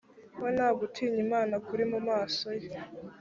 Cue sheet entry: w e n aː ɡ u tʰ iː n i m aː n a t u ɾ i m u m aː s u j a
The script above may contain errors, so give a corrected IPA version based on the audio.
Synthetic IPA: w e n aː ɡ u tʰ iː ɲ i m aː n a k u ɾ i m u m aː s o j e